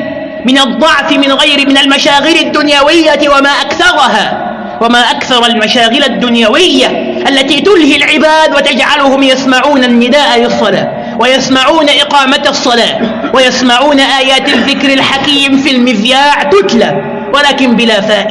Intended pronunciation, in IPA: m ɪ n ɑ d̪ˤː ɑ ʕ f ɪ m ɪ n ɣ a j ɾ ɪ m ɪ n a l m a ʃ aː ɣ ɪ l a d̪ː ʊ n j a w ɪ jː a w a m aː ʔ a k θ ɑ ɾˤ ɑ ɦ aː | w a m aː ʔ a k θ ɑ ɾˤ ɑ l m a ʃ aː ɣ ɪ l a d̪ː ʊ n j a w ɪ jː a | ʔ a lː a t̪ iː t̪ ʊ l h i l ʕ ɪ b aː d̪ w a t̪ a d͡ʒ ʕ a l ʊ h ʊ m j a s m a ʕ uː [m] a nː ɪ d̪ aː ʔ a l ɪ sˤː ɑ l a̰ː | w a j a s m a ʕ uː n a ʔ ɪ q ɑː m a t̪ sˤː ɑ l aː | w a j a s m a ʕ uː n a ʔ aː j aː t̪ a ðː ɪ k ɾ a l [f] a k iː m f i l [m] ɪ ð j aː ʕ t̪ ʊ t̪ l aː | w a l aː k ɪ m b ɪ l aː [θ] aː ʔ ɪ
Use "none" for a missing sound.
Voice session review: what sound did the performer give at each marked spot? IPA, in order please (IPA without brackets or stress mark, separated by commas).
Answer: n, ħ, m, f